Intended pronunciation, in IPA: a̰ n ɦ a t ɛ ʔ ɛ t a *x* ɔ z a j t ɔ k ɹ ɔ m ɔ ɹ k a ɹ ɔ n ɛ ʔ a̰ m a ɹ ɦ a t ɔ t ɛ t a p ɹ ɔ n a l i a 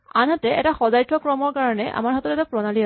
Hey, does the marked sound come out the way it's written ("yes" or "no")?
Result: yes